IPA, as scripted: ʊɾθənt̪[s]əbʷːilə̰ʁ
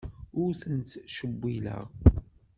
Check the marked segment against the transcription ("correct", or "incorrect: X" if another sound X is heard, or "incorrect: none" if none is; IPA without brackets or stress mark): incorrect: ʃ